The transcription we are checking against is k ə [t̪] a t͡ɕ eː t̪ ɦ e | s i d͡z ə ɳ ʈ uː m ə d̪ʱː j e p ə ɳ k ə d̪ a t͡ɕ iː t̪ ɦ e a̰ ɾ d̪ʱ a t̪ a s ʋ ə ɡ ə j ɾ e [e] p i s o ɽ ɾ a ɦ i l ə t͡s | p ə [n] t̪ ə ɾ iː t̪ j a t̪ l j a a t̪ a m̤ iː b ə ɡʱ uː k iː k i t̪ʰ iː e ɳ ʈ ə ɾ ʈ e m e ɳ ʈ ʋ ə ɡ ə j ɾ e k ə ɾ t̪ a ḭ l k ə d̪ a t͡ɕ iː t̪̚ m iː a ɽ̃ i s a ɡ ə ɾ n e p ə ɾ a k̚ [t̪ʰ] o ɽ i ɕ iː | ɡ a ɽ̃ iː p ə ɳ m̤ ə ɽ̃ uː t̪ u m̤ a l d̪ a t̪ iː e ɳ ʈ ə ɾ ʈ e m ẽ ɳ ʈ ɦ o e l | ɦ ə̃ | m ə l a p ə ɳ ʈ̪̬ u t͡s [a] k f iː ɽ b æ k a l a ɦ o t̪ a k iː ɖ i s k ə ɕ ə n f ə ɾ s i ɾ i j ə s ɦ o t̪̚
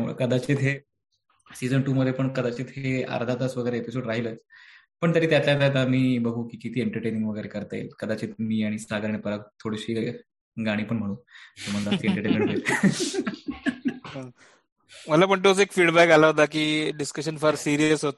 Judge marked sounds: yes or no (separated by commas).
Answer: no, yes, no, yes, no